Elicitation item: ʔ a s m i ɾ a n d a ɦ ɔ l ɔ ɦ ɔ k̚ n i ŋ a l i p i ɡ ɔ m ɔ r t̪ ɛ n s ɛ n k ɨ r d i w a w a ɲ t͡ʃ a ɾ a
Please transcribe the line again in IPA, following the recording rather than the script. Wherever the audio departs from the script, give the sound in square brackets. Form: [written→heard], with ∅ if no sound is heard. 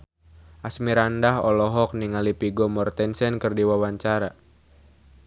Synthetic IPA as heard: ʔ a s m i ɾ a n d a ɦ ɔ l ɔ ɦ ɔ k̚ n i ŋ a l i p i ɡ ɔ m ɔ r t̪ ɛ n s ɛ n k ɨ r d i w a w a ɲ t͡ʃ a ɾ a

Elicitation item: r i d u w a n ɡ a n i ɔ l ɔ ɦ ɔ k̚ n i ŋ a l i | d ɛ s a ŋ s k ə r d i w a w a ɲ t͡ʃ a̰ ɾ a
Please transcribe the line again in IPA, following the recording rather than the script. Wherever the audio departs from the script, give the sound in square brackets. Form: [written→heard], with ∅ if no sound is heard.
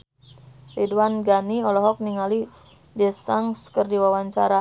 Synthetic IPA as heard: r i d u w a n ɡ a n i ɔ l ɔ ɦ ɔ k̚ n i ŋ a l i | d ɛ s a ŋ s k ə r d i w a w a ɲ t͡ʃ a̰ ɾ a

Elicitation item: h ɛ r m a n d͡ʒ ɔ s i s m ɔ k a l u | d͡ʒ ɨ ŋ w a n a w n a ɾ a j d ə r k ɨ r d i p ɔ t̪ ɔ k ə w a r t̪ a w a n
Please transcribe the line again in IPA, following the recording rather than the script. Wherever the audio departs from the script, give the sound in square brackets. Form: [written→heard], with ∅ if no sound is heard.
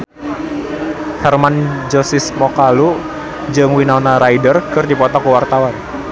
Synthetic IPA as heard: h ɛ r m a n d͡ʒ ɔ s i s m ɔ k a l u | d͡ʒ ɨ ŋ w [a→i] n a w n a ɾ a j d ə r k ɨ r d i p ɔ t̪ ɔ k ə w a r t̪ a w a n

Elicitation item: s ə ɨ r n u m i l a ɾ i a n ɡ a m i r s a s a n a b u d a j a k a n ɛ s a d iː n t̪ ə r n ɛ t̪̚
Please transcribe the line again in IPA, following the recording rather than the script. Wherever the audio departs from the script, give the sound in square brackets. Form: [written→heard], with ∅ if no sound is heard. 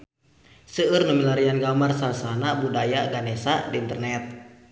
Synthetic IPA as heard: s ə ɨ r n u m i l a ɾ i a n ɡ a m [i→a] r s a s a n a b u d a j a [k→ɡ] a n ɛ s a d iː n t̪ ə r n ɛ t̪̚

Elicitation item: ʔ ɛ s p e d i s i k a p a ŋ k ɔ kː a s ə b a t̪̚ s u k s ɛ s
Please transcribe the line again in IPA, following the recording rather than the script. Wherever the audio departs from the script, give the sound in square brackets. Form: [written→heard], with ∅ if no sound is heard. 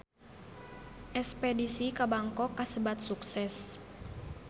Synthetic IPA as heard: ʔ ɛ s p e d i s i k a [p→b] a ŋ k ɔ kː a s ə b a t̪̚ s u k s ɛ s

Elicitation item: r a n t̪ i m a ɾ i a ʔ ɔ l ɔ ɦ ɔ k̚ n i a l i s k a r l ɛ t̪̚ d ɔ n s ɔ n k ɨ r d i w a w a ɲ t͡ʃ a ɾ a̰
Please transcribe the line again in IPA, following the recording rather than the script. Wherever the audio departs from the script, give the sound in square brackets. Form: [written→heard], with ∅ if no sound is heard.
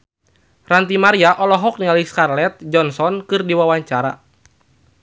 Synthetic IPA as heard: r a n t̪ i m a ɾ i a ʔ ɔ l ɔ ɦ ɔ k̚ n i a l i s k a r l ɛ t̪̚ [d→d͡ʒ] ɔ n s ɔ n k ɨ r d i w a w a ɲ t͡ʃ a ɾ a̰

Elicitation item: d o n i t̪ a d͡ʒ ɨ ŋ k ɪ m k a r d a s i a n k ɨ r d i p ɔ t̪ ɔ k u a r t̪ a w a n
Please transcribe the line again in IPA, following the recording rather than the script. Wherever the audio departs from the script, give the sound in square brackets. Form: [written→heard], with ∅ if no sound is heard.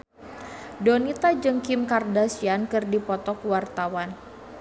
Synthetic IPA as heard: d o n i t̪ a d͡ʒ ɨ ŋ k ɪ m k a r d a s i a n k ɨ r d i p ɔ t̪ ɔ k [u→w] a r t̪ a w a n

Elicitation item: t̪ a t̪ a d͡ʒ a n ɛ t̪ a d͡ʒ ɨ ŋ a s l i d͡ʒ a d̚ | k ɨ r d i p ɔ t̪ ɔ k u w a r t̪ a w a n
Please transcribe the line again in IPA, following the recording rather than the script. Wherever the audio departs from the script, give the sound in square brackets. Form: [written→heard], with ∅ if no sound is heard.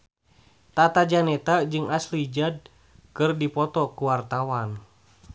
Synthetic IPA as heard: t̪ a t̪ a d͡ʒ a n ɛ t̪ a d͡ʒ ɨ ŋ a s l i d͡ʒ a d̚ | k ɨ r d i p ɔ t̪ ɔ k u w a r t̪ a w a n

